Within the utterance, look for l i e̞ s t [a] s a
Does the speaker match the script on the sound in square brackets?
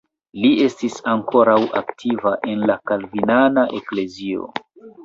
no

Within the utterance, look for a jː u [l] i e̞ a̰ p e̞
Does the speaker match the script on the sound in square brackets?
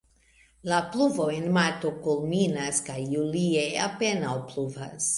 yes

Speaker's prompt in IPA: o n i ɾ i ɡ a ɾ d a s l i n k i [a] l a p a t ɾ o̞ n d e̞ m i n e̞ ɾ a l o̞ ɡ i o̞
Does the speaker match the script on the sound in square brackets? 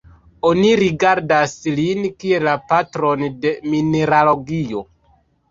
no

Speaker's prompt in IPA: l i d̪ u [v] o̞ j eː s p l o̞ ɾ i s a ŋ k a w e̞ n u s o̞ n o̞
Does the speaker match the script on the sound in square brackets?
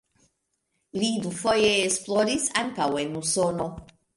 no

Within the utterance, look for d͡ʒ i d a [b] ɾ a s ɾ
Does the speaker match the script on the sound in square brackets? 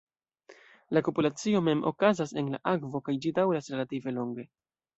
no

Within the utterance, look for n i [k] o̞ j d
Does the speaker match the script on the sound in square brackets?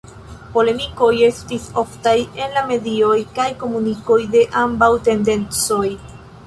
yes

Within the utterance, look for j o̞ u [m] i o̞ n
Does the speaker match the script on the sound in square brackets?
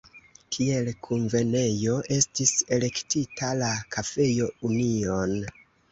no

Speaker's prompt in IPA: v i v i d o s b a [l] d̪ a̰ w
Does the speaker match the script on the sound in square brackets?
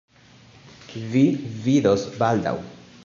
yes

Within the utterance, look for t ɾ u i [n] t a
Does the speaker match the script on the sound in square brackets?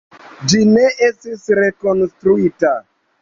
no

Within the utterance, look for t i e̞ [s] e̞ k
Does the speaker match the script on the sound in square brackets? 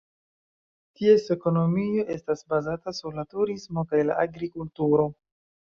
yes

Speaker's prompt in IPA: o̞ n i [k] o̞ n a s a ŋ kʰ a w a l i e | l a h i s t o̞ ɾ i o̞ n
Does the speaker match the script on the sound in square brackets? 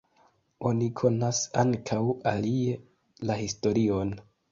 no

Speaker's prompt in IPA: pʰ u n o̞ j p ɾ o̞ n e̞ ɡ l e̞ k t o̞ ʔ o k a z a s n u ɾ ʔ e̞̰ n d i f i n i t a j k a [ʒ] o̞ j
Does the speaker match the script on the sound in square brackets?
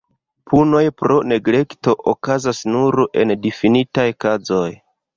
no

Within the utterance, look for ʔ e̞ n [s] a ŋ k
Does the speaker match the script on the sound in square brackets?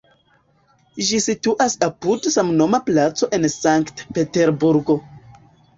yes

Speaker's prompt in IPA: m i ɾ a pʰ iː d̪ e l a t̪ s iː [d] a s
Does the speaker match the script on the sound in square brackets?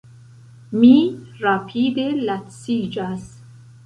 no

